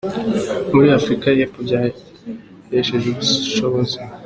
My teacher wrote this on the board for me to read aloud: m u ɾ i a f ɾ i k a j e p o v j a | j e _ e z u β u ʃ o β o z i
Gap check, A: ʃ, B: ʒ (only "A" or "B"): A